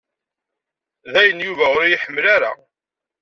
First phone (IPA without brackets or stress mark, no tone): ð